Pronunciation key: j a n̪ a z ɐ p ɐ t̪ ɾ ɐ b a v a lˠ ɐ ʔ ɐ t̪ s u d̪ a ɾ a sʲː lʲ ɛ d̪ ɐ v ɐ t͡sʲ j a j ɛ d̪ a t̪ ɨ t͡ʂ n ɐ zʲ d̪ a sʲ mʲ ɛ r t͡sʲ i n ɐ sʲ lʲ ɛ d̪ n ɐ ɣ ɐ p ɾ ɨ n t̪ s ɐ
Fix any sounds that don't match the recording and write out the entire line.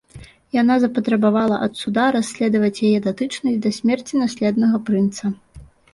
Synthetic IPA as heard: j a n̪ a z ɐ p ɐ t̪ ɾ ɐ b a v a lˠ ɐ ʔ ɐ t̪ s u d̪ a ɾ a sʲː lʲ ɛ d̪ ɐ v ɐ t͡sʲ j a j ɛ d̪ a t̪ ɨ t͡ʂ n ɐ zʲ d̪ ɐ sʲ mʲ ɛ r t͡sʲ i n a sʲ lʲ ɛ d̪ n ɐ ɣ ɐ p ɾ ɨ n t̪ s ɐ